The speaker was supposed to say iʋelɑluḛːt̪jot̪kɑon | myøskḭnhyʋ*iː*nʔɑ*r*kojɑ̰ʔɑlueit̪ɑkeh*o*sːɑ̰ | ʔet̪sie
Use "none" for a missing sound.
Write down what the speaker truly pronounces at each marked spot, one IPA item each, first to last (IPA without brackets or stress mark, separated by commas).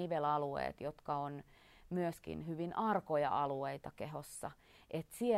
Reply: i, r, o